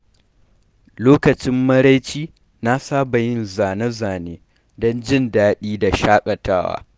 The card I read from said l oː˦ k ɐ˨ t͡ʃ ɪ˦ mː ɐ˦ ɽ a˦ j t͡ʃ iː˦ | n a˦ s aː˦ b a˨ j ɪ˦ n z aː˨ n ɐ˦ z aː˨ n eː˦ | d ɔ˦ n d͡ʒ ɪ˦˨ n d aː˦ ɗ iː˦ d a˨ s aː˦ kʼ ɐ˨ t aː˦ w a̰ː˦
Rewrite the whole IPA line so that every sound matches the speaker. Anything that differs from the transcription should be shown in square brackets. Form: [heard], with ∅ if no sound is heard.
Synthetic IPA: l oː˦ k ɐ˨ t͡ʃ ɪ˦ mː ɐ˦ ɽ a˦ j t͡ʃ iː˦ | n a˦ s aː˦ b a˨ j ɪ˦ n z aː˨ n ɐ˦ z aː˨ n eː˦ | d ɔ˦ n d͡ʒ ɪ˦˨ n d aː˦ ɗ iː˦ d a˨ [ʃ] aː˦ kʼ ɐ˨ t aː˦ w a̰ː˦